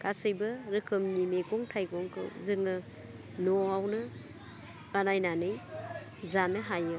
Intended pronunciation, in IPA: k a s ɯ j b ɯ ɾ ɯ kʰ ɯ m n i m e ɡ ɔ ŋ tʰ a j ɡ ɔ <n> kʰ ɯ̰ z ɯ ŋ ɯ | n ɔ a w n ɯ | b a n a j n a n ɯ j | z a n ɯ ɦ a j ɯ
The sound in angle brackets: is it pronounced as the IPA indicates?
no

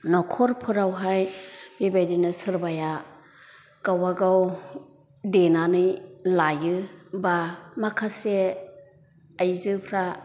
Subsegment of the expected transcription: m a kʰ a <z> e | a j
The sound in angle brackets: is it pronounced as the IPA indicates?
no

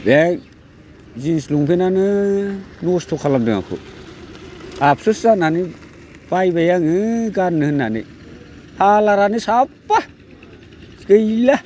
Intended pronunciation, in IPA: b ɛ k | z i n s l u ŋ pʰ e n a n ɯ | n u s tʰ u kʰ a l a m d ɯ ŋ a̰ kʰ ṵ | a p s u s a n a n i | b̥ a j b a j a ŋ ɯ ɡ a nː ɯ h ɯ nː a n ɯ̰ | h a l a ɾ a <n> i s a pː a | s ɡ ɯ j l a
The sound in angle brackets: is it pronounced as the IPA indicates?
yes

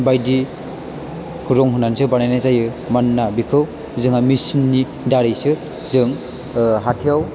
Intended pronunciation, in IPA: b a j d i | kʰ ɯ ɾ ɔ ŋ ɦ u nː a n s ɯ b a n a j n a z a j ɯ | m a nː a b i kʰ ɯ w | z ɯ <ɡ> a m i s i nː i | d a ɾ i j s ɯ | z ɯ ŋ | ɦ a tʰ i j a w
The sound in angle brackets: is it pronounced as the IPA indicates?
no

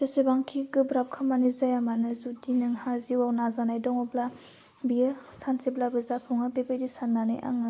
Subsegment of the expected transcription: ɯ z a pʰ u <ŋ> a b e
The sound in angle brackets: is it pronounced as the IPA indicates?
yes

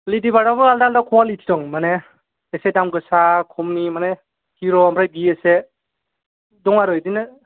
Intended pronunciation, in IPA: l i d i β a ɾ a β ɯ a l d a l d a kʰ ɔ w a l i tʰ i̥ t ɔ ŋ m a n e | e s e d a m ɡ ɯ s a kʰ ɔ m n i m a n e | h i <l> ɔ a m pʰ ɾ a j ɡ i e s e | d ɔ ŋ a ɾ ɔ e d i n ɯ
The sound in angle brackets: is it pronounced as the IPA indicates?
no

